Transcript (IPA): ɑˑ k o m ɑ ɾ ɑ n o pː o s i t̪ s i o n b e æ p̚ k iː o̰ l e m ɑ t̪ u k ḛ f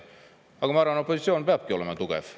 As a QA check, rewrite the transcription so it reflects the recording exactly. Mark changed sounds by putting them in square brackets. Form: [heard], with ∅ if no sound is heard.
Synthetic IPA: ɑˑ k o m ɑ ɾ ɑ n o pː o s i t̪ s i o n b e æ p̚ k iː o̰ l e m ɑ t̪ u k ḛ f